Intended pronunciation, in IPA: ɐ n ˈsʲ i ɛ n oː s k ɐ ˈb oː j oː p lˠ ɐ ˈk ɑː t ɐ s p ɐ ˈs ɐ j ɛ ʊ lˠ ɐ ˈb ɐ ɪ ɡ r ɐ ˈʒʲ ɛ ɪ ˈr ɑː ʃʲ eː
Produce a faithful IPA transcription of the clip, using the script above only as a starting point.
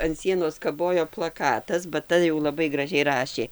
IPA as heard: ɐ n ˈsʲ i ɛ n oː s k ɐ ˈb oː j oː p lˠ ɐ ˈk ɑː t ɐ s b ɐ ˈt ɐ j ɛ ʊ lˠ ɐ ˈb ɐ ɪ ɡ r ɐ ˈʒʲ ɛ ɪ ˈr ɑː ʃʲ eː